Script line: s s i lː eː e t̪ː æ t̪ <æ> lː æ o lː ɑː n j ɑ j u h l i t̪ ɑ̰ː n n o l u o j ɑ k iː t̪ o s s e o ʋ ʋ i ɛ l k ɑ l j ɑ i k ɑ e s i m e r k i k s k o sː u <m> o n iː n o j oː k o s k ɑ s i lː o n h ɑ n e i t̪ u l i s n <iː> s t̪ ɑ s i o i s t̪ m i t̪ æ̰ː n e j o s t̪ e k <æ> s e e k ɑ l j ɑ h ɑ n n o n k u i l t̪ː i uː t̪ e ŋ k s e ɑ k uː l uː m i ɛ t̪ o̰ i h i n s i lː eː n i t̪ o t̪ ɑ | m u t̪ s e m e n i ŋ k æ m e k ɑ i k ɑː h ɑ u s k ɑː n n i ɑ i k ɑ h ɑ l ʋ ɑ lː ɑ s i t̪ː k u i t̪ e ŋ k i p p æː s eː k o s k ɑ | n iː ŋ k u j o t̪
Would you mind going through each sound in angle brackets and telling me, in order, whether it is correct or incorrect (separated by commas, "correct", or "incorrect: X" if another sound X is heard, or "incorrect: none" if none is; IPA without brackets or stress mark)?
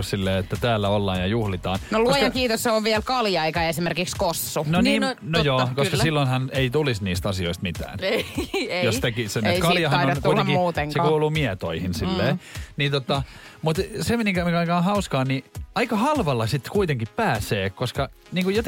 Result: incorrect: æː, incorrect: n, correct, incorrect: i